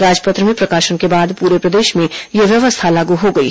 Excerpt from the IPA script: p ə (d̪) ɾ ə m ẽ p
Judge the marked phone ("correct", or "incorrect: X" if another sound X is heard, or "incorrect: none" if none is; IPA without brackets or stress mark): incorrect: t̪